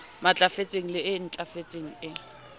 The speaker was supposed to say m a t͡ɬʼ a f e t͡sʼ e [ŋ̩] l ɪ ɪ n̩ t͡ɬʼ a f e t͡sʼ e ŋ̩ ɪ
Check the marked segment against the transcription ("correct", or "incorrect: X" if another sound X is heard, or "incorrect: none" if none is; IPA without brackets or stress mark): correct